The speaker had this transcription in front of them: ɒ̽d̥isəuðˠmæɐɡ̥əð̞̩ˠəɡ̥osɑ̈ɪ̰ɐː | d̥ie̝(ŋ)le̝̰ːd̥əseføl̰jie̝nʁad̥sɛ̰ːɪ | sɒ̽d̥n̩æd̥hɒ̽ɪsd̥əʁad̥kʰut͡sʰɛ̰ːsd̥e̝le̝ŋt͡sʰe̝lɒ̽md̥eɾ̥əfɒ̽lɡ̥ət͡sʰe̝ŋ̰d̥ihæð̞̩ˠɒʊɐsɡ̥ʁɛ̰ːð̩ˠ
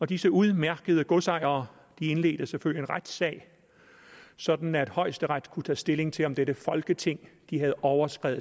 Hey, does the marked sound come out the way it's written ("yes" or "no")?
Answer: no